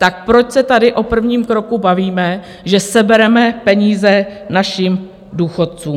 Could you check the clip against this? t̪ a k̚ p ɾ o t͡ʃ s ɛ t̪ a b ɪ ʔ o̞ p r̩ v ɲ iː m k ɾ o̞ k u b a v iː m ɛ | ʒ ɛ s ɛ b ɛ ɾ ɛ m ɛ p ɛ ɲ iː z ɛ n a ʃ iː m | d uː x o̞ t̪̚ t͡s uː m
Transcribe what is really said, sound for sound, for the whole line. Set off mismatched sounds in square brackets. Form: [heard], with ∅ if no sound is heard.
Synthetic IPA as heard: t̪ a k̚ p ɾ o t͡ʃ s ɛ t̪ a [d] ɪ ʔ o̞ p r̩ v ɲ iː m k ɾ o̞ k u b a v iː m ɛ | ʒ ɛ s ɛ b ɛ ɾ ɛ m ɛ p ɛ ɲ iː z ɛ n a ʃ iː m | d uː x o̞ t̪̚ t͡s uː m